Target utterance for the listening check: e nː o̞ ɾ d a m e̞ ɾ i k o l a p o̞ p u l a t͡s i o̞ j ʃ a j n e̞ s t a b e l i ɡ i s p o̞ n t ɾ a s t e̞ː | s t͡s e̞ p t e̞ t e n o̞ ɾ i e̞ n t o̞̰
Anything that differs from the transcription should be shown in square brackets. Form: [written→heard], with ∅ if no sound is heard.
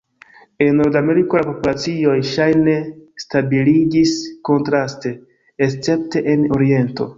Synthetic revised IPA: e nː o̞ ɾ d a m e̞ ɾ i k o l a p o̞ p u l a t͡s i o̞ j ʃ a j n e̞ s t a b [e→i] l i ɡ i s [p→k] o̞ n t ɾ a s t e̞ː | s t͡s e̞ p t e̞ [t→ʔ] e n o̞ ɾ i e̞ n t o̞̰